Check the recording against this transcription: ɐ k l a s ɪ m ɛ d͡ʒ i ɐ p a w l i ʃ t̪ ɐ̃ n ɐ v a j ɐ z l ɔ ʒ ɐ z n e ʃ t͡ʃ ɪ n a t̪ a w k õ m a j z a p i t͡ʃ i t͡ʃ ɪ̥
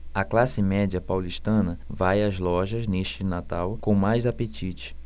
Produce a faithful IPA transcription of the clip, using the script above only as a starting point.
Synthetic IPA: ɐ k l a s ɪ m ɛ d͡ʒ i ɐ p a w l i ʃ t̪ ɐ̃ n ɐ v a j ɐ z l ɔ ʒ ɐ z n e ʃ t͡ʃ ɪ n a t̪ a w k õ m a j z a p e t͡ʃ i t͡ʃ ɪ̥